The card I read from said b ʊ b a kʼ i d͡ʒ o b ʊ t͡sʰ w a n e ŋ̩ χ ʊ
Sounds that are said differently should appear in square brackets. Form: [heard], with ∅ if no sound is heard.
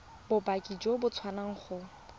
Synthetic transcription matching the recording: b ʊ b a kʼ i d͡ʒ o b ʊ t͡sʰ w a n [a] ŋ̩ χ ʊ

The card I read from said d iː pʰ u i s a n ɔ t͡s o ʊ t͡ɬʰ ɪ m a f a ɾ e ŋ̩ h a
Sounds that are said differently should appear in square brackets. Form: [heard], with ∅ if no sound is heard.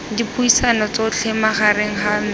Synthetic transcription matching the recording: d [i] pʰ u i s a n ɔ t͡s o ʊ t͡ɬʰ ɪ m a [χ] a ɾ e ŋ̩ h a

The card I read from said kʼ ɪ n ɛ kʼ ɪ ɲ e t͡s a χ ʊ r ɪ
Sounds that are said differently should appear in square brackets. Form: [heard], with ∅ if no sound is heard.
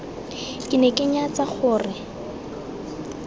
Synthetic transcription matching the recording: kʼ ɪ n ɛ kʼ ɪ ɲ [a] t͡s a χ [ʊː] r ɪ

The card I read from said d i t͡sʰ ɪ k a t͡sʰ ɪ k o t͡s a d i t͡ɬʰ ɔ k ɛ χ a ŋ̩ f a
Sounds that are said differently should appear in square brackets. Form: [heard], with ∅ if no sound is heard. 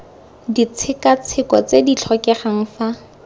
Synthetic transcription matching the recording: d i t͡sʰ ɪ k a t͡sʰ ɪ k [ɔ] t͡s [e] d i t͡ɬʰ ɔ k ɛ χ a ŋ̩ f a

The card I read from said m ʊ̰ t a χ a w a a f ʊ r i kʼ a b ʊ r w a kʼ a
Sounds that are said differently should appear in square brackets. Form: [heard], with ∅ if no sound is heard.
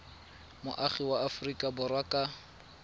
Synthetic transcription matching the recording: m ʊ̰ [ʔ] a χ [i] w a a f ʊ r i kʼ a b ʊ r w a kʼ a

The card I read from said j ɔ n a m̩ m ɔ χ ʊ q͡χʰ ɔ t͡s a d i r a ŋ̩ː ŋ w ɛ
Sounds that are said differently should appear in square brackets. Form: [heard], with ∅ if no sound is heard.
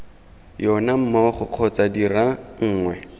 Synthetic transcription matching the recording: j ɔ n a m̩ m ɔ χ ʊ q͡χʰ ɔ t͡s a d i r a ŋ̩ː ŋ w ɛ

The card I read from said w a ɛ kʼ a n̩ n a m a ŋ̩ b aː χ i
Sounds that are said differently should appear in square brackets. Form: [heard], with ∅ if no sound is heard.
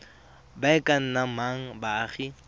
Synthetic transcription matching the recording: [b] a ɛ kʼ a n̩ n a m a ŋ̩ b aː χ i

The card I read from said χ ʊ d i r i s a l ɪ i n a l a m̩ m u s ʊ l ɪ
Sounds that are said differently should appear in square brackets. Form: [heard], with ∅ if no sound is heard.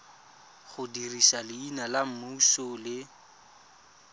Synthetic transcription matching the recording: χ ʊ d i r i s a l ɪ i n a l a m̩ m u s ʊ l ɪ

